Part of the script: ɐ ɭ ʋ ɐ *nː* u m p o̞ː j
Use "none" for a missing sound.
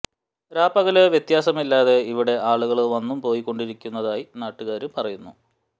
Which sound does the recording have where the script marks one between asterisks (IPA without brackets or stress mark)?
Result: nː